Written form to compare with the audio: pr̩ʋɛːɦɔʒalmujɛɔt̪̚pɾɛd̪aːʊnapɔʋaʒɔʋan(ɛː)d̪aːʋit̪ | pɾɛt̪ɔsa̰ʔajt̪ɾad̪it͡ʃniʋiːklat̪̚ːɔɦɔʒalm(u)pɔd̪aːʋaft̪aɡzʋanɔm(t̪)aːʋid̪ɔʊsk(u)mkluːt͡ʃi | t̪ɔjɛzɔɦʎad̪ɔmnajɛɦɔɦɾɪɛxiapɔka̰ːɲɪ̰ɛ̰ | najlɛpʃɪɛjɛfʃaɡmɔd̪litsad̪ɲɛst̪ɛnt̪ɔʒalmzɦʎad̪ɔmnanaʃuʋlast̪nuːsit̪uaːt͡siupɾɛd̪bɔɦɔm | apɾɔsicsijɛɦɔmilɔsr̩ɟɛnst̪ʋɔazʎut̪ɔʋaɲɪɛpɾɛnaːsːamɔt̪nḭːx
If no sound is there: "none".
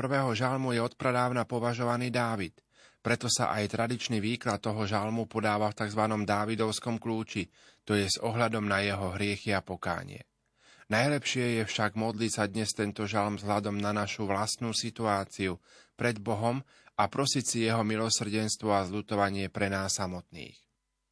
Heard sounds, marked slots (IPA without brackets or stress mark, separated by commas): iː, u, d̪, ɔ